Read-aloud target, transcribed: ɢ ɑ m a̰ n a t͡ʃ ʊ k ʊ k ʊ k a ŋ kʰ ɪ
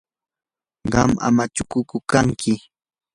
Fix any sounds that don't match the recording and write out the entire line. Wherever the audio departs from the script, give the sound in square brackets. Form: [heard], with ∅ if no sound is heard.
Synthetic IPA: ɢ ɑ m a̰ [m] a t͡ʃ ʊ k ʊ k ʊ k a ŋ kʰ ɪ

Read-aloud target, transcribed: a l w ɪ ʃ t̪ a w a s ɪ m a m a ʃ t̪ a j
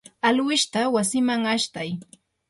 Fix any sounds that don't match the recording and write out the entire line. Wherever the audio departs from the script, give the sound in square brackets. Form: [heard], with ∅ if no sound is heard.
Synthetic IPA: a l w ɪ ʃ t̪ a w a s ɪ m a [ŋ] a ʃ t̪ a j

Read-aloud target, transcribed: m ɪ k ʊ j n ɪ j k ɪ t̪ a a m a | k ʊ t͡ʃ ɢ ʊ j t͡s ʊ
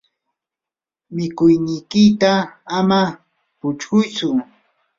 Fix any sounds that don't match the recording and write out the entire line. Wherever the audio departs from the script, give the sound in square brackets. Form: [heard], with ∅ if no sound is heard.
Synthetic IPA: m ɪ k ʊ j n ɪ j k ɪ t̪ a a m a | [p] ʊ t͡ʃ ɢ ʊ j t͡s ʊ

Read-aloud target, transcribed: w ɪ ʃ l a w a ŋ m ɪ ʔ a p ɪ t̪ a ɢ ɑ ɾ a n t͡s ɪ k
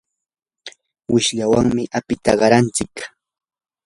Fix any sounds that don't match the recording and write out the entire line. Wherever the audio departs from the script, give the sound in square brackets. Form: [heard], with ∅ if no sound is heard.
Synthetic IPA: w ɪ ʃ [ʎ] a w a ŋ m ɪ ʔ a p ɪ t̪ a ɢ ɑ ɾ a n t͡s ɪ k

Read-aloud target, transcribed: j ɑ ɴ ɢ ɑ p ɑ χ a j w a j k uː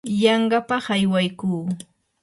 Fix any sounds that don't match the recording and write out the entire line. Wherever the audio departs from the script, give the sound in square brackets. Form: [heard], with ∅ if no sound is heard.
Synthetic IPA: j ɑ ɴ ɢ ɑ p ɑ χ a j w a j k uː

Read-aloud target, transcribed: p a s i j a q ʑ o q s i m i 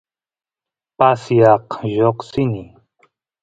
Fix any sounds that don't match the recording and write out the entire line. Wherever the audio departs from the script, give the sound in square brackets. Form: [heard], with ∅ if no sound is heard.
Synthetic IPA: p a s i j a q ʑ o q s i [n] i

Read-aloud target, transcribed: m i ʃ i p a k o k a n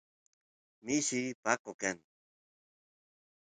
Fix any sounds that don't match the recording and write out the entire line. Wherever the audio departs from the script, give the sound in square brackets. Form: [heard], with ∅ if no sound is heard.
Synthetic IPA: m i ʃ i p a k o k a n

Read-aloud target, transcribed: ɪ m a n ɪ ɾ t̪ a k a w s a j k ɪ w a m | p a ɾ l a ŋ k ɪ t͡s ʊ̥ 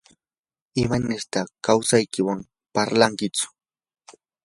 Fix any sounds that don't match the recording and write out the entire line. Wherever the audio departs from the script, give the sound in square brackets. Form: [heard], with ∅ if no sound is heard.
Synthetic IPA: ɪ m a n ɪ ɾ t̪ a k a w s a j k ɪ w a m | p a ɾ l a ŋ k ɪ t͡s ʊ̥

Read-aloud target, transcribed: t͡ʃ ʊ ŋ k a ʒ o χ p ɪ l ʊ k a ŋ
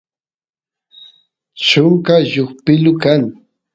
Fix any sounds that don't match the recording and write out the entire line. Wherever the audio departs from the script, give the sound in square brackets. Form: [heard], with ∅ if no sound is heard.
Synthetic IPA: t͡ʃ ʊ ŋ k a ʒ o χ p ɪ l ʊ k a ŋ

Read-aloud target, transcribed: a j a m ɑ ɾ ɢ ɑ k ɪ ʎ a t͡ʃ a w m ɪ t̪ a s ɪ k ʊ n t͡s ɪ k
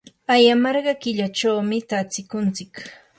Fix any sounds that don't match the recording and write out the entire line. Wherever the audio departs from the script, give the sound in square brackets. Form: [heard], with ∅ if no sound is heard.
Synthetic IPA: a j a m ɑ ɾ ɢ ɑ k ɪ ʎ a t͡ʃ a w m ɪ t̪ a [t͡s] ɪ k ʊ n t͡s ɪ k

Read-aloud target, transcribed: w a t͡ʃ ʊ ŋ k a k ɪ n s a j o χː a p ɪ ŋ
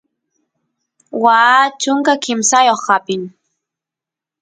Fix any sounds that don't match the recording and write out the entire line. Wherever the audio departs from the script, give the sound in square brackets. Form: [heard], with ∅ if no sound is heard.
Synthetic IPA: w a t͡ʃ ʊ ŋ k a k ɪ [m] s a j o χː a p ɪ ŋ

